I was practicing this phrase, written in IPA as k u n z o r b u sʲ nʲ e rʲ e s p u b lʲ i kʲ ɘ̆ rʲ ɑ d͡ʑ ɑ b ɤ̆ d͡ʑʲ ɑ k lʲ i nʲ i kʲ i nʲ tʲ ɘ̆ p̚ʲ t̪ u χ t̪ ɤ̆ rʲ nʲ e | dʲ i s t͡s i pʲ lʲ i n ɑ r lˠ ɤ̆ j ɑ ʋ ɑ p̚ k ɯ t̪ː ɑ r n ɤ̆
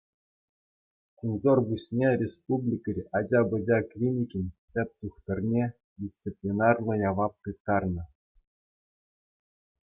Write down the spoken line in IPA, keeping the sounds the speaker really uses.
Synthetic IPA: k u n z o r b u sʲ nʲ e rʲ e s p u b lʲ i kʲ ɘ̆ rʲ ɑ d͡ʑ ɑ b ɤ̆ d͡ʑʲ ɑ k lʲ i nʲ i kʲ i nʲ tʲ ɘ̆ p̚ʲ t̪ u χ t̪ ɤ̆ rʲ nʲ e | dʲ i s t͡s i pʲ lʲ i n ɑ r lˠ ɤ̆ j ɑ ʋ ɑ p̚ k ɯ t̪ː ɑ r n ɤ̆